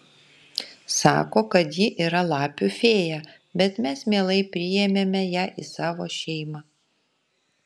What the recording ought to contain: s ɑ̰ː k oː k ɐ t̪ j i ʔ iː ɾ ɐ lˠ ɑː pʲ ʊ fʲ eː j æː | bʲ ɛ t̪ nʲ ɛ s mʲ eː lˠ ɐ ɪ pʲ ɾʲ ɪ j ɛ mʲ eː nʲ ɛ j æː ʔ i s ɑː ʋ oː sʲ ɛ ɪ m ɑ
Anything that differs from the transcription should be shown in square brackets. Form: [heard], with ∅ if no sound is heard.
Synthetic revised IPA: s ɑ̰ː k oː k ɐ t̪ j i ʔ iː ɾ ɐ lˠ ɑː pʲ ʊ fʲ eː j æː | bʲ ɛ t̪ [mʲ] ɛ s mʲ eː lˠ ɐ ɪ pʲ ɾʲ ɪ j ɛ mʲ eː [mʲ] ɛ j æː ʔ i s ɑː ʋ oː [ʃʲ] ɛ ɪ m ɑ

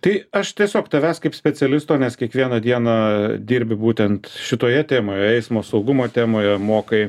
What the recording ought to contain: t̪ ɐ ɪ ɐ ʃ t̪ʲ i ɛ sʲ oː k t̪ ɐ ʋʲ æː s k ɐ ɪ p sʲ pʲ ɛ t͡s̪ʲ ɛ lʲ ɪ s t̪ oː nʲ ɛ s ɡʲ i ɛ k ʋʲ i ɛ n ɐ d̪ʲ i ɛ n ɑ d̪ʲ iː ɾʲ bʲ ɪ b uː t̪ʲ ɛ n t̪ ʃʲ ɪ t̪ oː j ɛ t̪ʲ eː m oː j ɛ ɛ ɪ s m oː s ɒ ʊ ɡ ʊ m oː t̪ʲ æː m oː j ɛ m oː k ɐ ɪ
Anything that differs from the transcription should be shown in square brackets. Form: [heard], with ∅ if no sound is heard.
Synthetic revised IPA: t̪ ɐ ɪ ɐ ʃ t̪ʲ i ɛ sʲ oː k t̪ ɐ ʋʲ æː s k ɐ ɪ p sʲ pʲ ɛ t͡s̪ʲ ɛ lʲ ɪ s t̪ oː nʲ ɛ s [kʲ] i ɛ k ʋʲ i ɛ n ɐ d̪ʲ i ɛ n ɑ d̪ʲ iː ɾʲ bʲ ɪ b uː t̪ʲ ɛ n t̪ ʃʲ ɪ t̪ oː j ɛ t̪ʲ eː m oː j ɛ ɛ ɪ s m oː s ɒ ʊ ɡ ʊ m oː t̪ʲ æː m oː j ɛ m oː k ɐ ɪ

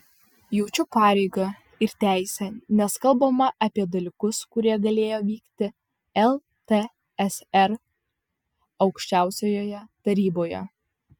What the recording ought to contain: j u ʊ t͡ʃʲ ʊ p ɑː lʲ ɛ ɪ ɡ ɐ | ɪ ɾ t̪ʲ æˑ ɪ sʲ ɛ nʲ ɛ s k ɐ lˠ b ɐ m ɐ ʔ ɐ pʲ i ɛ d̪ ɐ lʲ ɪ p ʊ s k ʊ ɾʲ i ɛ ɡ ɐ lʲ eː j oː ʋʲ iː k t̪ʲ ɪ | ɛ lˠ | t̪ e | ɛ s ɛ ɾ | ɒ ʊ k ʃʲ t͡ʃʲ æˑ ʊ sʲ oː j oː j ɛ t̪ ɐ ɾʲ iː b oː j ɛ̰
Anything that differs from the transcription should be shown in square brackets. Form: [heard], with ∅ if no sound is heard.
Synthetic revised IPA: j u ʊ t͡ʃʲ ʊ p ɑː [ɾʲ] ɛ ɪ ɡ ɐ | ɪ ɾ t̪ʲ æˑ ɪ sʲ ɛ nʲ ɛ s k ɐ lˠ b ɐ m ɐ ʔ ɐ pʲ i ɛ d̪ ɐ lʲ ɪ [k] ʊ s k ʊ ɾʲ i ɛ ɡ ɐ lʲ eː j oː ʋʲ iː k t̪ʲ ɪ | ɛ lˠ | t̪ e | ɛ s ɛ ɾ | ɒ ʊ k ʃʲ t͡ʃʲ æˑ ʊ sʲ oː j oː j ɛ t̪ ɐ ɾʲ iː b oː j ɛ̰

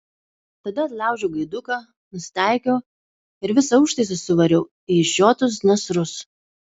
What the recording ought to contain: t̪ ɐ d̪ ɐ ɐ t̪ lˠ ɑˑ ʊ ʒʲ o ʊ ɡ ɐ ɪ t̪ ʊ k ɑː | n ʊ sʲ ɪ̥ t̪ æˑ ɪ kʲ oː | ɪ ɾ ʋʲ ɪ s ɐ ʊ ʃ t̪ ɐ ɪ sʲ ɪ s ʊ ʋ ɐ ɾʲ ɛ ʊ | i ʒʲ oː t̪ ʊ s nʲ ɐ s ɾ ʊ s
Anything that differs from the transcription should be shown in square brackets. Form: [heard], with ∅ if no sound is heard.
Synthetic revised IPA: t̪ ɐ d̪ ɐ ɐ t̪ lˠ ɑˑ ʊ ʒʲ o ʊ ɡ ɐ ɪ [d̪] ʊ k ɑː | n ʊ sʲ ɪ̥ t̪ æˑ ɪ kʲ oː | ɪ ɾ ʋʲ ɪ s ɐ ʊ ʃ t̪ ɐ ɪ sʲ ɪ s ʊ ʋ ɐ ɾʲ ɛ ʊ | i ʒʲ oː t̪ ʊ s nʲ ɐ s ɾ ʊ s

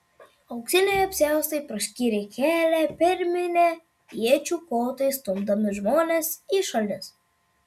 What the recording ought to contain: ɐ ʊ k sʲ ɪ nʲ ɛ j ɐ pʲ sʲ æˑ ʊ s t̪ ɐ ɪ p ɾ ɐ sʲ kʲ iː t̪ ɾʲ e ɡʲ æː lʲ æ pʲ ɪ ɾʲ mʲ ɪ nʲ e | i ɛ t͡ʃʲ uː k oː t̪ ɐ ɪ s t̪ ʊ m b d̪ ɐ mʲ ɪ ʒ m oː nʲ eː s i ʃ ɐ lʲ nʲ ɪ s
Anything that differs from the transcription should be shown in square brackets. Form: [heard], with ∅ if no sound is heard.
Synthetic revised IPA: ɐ ʊ k sʲ ɪ nʲ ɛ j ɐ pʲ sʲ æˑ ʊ s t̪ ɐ ɪ p ɾ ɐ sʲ kʲ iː [∅] ɾʲ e [kʲ] æː lʲ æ pʲ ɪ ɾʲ mʲ ɪ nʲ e | i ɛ t͡ʃʲ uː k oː t̪ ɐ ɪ s t̪ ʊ m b d̪ ɐ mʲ ɪ ʒ m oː nʲ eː s i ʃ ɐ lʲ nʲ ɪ s

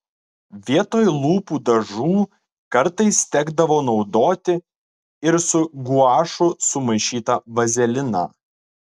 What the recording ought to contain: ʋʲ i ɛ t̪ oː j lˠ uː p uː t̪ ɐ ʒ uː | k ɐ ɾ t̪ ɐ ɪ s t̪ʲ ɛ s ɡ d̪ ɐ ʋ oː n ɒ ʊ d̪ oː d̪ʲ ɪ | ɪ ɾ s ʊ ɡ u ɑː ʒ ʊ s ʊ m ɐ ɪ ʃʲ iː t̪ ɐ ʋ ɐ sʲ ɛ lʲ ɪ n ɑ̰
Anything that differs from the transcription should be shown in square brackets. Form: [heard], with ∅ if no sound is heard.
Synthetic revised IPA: ʋʲ i ɛ t̪ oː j lˠ uː p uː [d̪] ɐ ʒ uː | k ɐ ɾ t̪ ɐ ɪ s t̪ʲ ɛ [∅] ɡ d̪ ɐ ʋ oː n ɒ ʊ d̪ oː [t̪ʲ] ɪ | ɪ ɾ s ʊ ɡ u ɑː [ʃ] ʊ s ʊ m ɐ ɪ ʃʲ iː t̪ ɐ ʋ ɐ [zʲ] ɛ lʲ ɪ n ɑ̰

